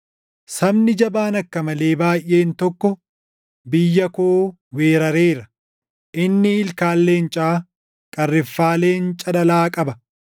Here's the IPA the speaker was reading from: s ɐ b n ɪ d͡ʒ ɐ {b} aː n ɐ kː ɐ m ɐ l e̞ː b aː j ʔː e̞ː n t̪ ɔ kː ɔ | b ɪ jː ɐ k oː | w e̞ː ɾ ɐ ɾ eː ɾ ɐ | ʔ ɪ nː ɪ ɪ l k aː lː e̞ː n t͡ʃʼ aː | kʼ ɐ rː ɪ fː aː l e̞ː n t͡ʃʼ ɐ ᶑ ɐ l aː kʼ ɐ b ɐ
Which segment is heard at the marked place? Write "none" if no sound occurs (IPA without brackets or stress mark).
b